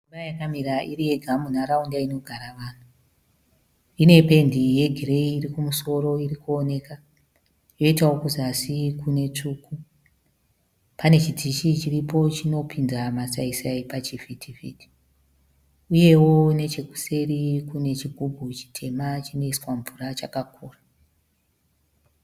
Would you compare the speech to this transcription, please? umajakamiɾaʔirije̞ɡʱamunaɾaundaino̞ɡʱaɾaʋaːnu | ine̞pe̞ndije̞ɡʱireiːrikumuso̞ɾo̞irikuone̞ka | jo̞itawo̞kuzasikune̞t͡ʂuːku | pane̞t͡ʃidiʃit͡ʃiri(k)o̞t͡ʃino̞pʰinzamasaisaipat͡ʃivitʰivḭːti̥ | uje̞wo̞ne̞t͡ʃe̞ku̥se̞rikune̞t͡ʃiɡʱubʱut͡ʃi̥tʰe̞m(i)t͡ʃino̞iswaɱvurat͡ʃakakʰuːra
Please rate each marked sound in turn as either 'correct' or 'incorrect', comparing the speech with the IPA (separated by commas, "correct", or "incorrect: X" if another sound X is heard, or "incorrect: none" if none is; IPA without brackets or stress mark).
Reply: incorrect: p, incorrect: a